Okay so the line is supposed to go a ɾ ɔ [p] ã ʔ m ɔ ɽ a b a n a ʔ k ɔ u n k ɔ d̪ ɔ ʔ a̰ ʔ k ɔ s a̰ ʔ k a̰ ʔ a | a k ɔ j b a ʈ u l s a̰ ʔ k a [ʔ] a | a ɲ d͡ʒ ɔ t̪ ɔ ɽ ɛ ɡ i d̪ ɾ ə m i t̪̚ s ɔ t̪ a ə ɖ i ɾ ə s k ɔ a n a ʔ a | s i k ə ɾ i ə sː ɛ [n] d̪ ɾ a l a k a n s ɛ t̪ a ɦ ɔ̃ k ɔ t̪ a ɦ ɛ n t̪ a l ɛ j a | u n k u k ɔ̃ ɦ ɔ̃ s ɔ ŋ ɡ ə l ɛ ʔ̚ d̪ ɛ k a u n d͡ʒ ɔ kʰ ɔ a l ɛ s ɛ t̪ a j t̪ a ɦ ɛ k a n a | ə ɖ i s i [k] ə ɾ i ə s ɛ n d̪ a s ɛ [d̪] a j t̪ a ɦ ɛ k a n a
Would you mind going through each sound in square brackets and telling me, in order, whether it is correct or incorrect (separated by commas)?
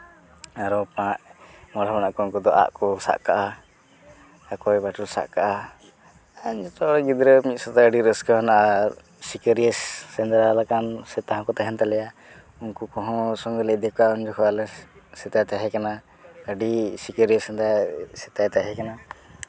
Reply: correct, correct, correct, correct, incorrect